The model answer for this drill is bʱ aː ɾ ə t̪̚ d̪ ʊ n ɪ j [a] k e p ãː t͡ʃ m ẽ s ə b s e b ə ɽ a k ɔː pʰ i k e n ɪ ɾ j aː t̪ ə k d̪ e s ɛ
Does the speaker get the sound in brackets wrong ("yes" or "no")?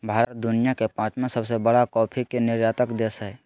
no